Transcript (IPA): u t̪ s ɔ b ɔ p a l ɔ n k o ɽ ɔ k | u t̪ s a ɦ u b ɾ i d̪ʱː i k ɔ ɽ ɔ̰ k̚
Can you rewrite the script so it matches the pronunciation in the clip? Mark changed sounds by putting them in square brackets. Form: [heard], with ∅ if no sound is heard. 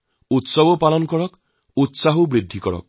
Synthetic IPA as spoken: u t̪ s ɔ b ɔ p a l ɔ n k [ɔ] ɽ ɔ k | u t̪ s a ɦ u b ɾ i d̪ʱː i k ɔ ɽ ɔ̰ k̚